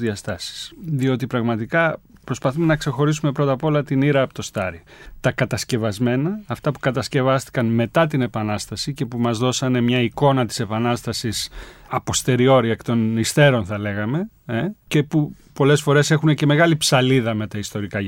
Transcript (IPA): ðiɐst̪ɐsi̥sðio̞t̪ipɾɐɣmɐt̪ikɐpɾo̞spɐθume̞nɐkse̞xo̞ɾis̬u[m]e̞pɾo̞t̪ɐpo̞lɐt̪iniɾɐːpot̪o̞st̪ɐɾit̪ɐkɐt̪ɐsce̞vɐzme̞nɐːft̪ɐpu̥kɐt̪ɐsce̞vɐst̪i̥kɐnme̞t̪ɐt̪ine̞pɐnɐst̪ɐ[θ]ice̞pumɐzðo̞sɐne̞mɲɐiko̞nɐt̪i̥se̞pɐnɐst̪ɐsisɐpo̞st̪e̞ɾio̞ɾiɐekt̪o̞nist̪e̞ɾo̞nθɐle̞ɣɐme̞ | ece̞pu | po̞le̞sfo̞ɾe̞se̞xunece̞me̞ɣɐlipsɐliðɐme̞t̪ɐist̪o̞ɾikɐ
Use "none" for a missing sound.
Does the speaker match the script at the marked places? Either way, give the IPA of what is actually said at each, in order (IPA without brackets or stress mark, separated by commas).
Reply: m, s